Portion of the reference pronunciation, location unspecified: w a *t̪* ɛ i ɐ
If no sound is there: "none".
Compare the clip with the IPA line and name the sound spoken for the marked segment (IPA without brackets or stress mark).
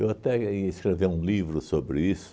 t̪